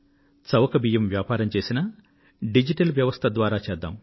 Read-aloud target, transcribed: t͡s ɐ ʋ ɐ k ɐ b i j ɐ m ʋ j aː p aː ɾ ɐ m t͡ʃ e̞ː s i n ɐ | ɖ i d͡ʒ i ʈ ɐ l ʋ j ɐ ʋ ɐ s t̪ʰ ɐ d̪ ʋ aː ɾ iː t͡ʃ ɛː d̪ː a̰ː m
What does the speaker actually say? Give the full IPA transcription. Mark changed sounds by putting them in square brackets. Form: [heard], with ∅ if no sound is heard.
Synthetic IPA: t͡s ɐ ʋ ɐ k ɐ b i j ɐ m ʋ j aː p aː ɾ ɐ m t͡ʃ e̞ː s i n ɐ | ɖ i d͡ʒ i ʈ ɐ l ʋ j ɐ ʋ ɐ s t̪ʰ ɐ d̪ ʋ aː ɾ [aː] t͡ʃ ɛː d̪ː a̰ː m